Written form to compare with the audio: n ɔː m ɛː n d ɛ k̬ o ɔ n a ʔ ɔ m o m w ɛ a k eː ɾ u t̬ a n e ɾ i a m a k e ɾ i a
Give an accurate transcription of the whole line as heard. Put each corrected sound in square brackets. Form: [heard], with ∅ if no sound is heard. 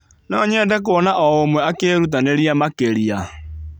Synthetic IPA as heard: n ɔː [ɲ] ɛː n d ɛ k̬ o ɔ n a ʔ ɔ [∅] o m w ɛ a k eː ɾ u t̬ a n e ɾ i a m a k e ɾ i a